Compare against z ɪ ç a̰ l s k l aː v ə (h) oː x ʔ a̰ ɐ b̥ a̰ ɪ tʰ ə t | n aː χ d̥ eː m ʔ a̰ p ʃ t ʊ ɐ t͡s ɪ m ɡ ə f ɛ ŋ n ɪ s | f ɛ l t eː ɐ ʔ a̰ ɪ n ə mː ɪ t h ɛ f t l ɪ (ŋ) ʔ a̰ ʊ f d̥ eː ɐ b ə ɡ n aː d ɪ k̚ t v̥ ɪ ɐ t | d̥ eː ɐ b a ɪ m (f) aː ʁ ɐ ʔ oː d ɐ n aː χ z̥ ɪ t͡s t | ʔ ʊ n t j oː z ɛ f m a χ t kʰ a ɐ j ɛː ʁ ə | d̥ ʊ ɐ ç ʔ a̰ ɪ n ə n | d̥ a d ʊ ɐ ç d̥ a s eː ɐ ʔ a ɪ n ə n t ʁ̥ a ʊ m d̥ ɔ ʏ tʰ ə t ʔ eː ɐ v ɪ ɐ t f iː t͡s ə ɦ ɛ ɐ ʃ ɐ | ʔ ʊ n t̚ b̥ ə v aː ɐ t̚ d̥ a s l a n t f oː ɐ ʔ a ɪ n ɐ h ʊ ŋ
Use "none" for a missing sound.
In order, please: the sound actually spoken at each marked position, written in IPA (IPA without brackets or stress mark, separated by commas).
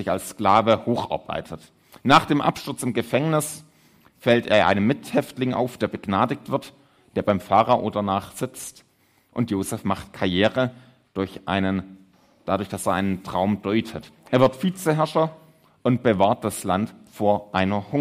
h, ŋ, f